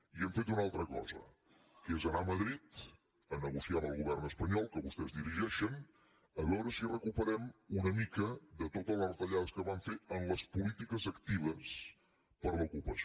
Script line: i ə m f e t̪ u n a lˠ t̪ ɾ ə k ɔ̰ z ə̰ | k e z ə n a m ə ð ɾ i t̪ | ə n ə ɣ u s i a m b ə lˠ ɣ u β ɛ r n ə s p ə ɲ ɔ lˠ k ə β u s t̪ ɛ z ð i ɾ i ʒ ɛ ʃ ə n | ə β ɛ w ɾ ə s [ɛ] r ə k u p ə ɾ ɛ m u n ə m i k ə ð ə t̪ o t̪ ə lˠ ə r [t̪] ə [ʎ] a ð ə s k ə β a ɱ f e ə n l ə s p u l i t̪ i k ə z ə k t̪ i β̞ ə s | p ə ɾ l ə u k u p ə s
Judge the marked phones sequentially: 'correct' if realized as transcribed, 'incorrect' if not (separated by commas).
incorrect, correct, correct